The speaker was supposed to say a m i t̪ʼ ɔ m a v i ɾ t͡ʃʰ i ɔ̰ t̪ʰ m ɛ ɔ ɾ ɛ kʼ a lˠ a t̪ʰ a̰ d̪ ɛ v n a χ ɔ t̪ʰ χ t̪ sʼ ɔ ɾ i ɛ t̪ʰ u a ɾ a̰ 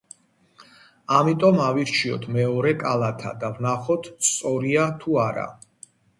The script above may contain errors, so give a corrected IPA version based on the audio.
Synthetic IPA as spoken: a m i t̪ʼ ɔ m a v i ɾ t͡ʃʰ i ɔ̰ t̪ʰ m ɛ ɔ ɾ ɛ kʼ a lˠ a t̪ʰ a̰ d̪ a v n a χ ɔ t̪ʰ s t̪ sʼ ɔ ɾ i a t̪ʰ u a ɾ a̰